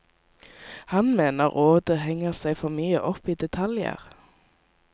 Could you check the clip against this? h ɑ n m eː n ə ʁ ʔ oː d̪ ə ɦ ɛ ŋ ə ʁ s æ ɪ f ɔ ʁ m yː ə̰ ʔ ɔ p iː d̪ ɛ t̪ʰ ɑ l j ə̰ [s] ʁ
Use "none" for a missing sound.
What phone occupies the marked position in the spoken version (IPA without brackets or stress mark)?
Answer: none